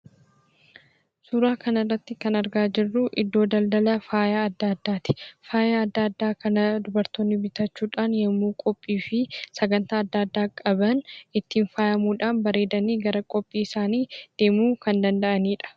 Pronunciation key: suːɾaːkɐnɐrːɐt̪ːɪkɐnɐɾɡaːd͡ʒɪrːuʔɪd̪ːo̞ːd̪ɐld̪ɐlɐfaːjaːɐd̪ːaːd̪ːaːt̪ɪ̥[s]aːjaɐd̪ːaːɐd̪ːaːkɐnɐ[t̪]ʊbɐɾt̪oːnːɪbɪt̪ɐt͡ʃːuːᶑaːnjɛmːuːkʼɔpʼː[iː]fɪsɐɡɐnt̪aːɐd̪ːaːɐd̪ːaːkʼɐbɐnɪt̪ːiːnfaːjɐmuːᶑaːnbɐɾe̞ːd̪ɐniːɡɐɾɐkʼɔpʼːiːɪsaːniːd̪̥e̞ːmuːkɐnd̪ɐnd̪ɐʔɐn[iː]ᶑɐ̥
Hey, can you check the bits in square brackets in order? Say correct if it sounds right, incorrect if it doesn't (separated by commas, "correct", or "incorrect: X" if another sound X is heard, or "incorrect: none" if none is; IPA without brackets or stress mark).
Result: incorrect: f, incorrect: d̪, correct, correct